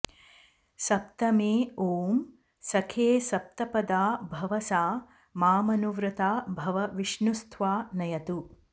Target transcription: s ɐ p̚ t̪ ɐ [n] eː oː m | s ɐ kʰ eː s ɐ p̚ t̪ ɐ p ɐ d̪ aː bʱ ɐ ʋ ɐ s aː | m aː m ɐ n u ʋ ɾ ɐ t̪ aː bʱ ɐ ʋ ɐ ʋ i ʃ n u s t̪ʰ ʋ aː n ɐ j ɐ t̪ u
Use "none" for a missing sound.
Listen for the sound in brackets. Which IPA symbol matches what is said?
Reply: m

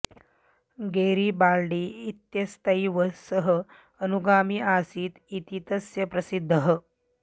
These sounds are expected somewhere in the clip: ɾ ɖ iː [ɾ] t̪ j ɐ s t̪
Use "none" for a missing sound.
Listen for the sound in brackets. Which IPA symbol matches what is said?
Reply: none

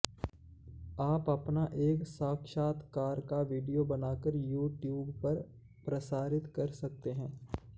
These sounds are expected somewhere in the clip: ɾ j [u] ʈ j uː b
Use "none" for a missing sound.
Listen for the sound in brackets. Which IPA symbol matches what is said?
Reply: uː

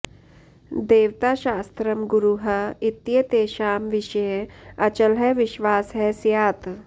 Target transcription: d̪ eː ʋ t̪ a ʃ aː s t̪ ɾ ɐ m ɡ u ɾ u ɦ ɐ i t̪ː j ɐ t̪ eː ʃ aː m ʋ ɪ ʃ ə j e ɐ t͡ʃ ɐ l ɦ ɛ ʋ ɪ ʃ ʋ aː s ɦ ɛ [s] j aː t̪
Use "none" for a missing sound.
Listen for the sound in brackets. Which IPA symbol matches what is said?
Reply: s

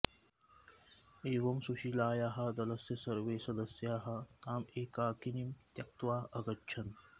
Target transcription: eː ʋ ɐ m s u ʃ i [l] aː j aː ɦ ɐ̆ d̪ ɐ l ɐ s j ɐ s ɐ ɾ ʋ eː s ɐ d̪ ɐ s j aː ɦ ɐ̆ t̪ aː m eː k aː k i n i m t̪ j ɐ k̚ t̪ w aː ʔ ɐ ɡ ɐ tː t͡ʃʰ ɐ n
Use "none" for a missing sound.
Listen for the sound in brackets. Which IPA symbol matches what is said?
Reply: l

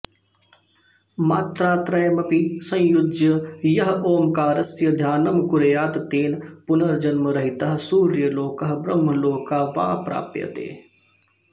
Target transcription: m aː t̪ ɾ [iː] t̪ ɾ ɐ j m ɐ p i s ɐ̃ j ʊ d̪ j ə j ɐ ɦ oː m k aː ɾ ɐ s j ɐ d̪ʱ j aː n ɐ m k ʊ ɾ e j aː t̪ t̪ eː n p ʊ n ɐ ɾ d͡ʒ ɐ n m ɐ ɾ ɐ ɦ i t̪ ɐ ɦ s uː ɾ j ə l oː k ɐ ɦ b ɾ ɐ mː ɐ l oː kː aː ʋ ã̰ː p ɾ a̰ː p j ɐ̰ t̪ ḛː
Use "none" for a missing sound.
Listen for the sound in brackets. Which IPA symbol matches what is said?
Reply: aː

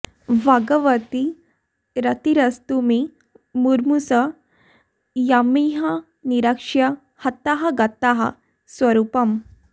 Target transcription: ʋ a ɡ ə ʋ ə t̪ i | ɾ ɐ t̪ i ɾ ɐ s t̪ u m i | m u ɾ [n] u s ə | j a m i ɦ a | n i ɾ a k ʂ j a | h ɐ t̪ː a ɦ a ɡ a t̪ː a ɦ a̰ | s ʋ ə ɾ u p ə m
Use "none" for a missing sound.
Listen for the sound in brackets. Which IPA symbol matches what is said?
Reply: m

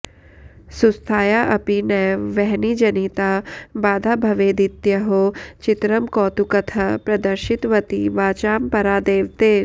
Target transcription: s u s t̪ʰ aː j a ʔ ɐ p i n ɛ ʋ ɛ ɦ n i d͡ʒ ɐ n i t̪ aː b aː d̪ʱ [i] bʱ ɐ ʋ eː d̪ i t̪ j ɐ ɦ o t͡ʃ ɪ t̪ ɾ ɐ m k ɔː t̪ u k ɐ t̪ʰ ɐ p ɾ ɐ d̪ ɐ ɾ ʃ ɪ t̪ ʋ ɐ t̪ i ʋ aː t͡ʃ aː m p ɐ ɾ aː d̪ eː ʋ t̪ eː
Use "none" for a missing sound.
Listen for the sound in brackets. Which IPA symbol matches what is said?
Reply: a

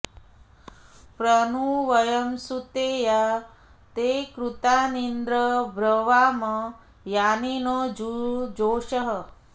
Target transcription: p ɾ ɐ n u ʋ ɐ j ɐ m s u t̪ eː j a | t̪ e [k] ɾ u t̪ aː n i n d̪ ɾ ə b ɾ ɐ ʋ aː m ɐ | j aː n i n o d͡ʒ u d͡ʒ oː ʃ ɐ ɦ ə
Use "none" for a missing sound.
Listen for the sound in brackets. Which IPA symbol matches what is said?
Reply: k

